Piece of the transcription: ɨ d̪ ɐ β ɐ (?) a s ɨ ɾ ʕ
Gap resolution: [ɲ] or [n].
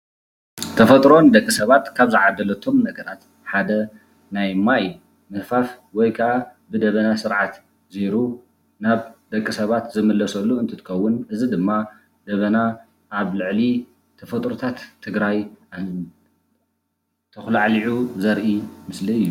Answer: n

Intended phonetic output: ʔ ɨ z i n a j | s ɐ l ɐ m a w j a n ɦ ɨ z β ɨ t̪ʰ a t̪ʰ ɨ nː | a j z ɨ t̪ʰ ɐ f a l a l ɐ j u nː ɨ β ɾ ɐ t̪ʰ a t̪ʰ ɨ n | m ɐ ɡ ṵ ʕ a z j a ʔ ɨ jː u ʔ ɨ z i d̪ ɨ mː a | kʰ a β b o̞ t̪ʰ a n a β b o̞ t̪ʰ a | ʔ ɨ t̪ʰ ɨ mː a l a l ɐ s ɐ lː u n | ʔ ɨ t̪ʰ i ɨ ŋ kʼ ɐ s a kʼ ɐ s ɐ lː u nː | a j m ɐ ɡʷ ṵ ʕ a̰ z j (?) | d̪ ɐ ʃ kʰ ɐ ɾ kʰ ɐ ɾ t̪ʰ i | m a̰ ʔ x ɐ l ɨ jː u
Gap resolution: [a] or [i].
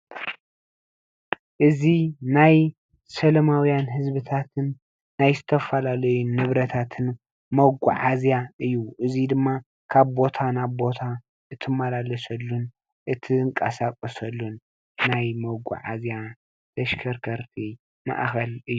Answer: a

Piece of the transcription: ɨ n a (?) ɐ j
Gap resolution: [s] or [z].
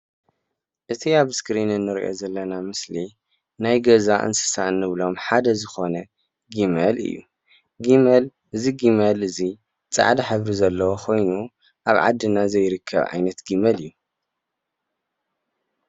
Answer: z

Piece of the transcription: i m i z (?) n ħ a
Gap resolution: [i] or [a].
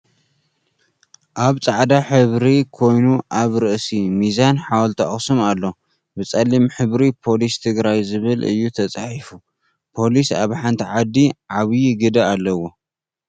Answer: a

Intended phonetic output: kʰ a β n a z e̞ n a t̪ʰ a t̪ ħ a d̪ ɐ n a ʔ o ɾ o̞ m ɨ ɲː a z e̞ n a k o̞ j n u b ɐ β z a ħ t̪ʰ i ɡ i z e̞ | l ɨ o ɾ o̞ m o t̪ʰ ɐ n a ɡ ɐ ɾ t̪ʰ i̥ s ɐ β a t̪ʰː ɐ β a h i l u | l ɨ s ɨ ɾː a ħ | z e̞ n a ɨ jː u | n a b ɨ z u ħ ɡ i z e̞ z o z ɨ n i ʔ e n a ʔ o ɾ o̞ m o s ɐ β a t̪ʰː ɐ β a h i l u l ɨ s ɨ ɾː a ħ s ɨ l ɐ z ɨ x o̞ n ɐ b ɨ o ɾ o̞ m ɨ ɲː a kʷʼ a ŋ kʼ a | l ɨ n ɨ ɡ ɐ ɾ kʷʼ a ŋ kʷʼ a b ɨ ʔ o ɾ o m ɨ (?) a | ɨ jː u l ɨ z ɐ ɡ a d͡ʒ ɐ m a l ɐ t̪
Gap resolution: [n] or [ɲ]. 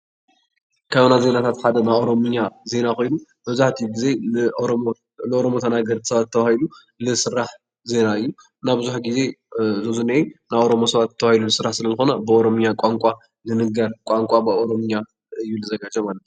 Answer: ɲ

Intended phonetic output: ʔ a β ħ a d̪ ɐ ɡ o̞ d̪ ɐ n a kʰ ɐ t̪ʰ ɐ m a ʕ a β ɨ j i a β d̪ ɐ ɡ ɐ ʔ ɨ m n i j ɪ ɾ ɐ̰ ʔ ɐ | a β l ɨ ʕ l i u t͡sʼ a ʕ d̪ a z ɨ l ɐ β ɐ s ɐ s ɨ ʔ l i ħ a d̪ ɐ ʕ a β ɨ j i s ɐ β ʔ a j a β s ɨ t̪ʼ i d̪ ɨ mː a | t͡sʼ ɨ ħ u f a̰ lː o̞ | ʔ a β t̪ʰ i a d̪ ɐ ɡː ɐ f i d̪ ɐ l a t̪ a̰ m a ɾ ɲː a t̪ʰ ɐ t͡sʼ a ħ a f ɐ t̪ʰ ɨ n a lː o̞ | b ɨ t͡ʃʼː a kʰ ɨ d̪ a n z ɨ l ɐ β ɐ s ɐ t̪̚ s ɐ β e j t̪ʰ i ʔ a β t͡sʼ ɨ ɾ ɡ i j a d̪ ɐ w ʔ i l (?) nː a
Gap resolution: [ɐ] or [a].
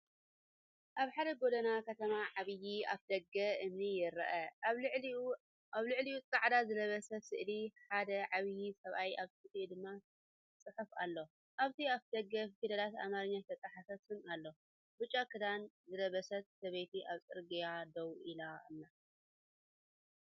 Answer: a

